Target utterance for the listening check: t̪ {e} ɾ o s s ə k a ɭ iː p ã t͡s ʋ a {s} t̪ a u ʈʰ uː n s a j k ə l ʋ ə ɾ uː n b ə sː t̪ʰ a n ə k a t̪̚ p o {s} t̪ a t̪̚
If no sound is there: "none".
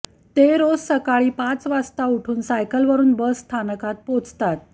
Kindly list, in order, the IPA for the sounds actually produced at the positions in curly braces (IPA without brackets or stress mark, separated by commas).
e, s, t͡s